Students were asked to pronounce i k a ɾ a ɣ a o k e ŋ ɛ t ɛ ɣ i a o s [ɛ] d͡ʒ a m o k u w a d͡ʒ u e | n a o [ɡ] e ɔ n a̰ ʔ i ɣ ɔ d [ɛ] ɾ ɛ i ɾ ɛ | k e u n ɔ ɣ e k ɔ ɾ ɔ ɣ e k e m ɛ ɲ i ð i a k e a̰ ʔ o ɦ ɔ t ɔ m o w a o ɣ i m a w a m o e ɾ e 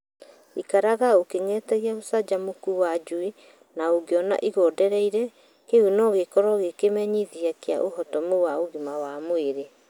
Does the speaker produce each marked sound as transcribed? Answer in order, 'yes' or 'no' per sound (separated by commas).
no, yes, yes